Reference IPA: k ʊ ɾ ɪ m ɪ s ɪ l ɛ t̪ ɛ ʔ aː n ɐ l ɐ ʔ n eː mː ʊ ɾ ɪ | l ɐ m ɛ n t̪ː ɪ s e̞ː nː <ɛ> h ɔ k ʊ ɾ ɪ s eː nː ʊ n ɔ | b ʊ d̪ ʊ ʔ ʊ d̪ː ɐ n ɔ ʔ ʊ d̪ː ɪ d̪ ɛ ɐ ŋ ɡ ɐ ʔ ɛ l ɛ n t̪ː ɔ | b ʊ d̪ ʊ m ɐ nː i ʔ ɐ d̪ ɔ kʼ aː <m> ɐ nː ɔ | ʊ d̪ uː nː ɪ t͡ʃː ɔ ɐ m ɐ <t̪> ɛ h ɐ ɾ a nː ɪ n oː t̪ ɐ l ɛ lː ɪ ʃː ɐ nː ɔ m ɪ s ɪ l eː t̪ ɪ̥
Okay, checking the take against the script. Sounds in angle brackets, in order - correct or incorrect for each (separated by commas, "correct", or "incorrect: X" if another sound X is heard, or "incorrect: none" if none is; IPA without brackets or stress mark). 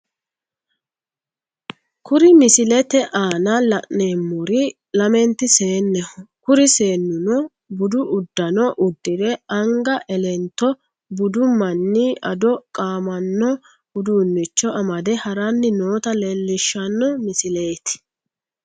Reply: correct, correct, incorrect: d̪